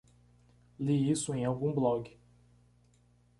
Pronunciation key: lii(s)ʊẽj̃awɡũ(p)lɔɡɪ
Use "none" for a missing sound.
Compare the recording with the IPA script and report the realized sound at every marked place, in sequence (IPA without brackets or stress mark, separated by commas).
s, b